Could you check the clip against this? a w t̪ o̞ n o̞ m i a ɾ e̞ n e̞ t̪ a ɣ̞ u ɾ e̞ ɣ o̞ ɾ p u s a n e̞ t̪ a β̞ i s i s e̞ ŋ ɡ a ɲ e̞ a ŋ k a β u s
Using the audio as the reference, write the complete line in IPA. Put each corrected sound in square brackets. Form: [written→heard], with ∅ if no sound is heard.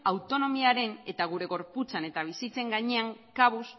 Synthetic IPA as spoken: a w t̪ o̞ n o̞ m i a ɾ e̞ n e̞ t̪ a ɣ̞ u ɾ e̞ ɣ o̞ ɾ p u [s→t͡s] a n e̞ t̪ a β̞ i s i [s→t͡s] e̞ ŋ ɡ a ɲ e̞ a ŋ k a β u s